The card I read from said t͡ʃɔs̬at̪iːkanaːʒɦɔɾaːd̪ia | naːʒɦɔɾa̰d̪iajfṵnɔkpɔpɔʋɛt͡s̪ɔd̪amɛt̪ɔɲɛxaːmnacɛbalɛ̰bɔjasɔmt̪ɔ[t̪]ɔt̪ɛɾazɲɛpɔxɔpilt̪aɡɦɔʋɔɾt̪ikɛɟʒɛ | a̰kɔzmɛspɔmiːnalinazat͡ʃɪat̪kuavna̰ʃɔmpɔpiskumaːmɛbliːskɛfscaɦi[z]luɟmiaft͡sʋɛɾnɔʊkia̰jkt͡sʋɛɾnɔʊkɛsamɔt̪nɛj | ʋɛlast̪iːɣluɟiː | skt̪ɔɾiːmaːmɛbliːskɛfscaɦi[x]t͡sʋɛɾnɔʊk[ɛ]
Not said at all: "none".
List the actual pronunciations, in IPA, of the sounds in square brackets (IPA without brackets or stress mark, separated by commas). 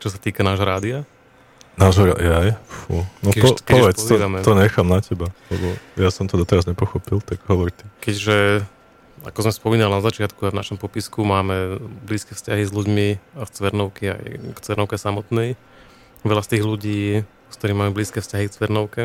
d̪, z, k, ɛ